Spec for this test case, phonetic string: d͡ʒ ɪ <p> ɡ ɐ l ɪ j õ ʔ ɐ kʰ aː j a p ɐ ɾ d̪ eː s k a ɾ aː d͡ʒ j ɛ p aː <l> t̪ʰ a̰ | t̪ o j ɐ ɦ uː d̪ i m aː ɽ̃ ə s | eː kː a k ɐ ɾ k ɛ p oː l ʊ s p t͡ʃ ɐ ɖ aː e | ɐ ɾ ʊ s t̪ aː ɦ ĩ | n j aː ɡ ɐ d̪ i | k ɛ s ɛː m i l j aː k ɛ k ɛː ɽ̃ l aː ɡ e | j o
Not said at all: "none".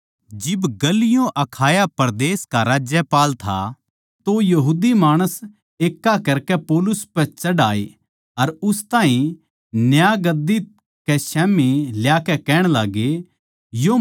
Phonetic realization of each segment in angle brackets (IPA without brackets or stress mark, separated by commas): b, l